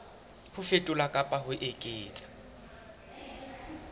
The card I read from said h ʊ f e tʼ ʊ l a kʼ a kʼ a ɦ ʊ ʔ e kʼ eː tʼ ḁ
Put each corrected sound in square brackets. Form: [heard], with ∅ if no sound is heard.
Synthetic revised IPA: h ʊ f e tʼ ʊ l a kʼ a [pʼ] a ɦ ʊ ʔ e kʼ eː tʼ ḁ